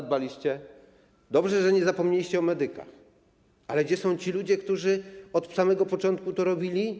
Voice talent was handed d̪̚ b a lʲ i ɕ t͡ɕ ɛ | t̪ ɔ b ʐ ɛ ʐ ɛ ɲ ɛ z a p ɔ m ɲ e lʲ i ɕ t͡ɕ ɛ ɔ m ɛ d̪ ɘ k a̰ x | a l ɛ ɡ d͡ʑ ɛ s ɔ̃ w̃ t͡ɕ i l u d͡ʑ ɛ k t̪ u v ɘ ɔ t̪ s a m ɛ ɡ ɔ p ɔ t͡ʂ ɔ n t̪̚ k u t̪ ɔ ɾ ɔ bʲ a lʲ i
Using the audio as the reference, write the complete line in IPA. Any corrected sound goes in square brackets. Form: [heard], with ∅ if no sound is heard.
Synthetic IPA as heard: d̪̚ b a lʲ i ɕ t͡ɕ ɛ | [d̪] ɔ b ʐ ɛ ʐ ɛ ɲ ɛ z a p ɔ m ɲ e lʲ i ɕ t͡ɕ ɛ ɔ m ɛ d̪ ɘ k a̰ x | a l ɛ ɡ d͡ʑ ɛ s ɔ̃ w̃ t͡ɕ i l u d͡ʑ ɛ k t̪ u [ʐ] ɘ ɔ t̪ s a m ɛ ɡ ɔ p ɔ t͡ʂ ɔ n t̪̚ k u t̪ ɔ ɾ ɔ bʲ [i] lʲ i